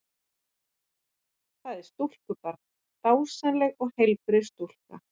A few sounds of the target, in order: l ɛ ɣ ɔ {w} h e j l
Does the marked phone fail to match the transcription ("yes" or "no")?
yes